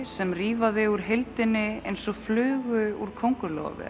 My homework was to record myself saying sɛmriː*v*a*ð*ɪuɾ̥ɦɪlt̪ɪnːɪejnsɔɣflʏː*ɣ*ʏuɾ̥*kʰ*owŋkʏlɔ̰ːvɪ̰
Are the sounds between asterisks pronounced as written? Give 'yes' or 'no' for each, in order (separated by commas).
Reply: yes, yes, yes, yes